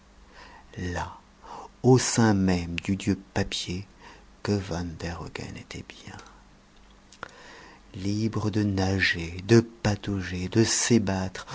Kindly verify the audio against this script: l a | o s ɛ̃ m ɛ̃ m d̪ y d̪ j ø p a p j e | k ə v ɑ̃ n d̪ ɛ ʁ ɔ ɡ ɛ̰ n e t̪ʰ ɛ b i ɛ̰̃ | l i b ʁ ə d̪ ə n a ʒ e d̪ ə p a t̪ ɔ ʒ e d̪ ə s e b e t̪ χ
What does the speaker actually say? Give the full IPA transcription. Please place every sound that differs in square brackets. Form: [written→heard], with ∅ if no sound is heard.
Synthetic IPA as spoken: l a | o s ɛ̃ m [ɛ̃→ɛ] m d̪ y d̪ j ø p a p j e | k ə v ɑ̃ n d̪ ɛ ʁ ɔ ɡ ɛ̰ n e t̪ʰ ɛ b [i→j] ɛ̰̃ | l i b ʁ ə d̪ ə n a ʒ e d̪ ə p a t̪ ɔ ʒ e d̪ ə s e b [e→a] t̪ χ